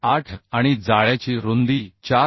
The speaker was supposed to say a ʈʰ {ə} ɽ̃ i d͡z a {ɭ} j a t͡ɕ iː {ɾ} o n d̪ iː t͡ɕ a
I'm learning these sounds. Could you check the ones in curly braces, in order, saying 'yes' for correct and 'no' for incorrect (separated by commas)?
no, yes, yes